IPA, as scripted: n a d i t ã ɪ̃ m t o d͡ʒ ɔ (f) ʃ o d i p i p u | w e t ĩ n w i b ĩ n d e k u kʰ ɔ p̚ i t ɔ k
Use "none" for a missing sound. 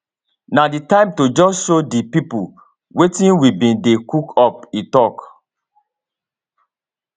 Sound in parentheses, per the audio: s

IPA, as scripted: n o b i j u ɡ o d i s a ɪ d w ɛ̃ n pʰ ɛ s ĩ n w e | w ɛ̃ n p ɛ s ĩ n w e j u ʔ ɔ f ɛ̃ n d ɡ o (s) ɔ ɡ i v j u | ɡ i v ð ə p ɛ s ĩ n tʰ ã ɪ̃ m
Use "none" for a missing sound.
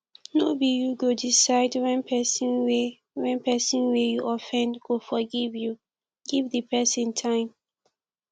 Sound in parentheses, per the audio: f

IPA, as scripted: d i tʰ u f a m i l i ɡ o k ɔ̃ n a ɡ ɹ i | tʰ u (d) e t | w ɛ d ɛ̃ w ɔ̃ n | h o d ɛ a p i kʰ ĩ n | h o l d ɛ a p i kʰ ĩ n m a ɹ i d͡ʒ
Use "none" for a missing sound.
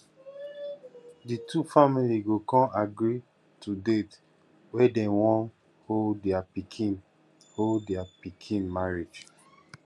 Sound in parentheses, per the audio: d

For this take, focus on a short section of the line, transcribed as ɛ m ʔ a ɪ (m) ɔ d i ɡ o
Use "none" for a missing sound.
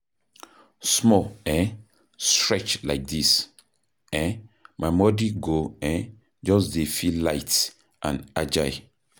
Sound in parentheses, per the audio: m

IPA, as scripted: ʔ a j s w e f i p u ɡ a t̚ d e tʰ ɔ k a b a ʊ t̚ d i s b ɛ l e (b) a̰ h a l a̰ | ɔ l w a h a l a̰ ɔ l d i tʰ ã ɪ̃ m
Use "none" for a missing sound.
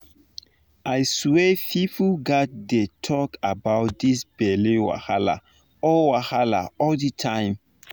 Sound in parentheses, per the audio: w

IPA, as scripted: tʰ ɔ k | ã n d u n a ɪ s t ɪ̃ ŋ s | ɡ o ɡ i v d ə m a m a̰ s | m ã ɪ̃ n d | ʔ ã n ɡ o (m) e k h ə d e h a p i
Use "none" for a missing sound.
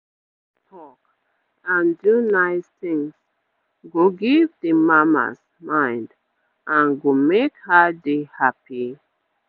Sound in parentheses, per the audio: m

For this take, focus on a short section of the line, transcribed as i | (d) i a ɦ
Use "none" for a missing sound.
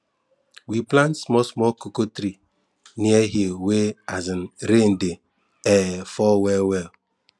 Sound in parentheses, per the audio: n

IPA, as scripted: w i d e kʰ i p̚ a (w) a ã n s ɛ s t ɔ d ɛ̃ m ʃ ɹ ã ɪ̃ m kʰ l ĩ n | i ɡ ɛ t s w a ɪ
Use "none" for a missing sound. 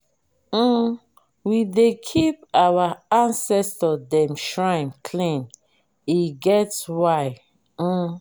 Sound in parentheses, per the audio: w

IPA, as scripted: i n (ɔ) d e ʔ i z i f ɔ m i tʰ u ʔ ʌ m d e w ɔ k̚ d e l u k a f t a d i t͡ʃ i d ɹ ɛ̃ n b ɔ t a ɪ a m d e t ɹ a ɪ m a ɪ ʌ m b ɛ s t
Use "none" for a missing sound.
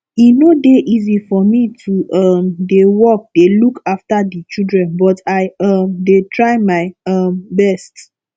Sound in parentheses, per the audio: o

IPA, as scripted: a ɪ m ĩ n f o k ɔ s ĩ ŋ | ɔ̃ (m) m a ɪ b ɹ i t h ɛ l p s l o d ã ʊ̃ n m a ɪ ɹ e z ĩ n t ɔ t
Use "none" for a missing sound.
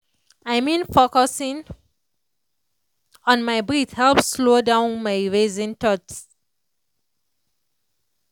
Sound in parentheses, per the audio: n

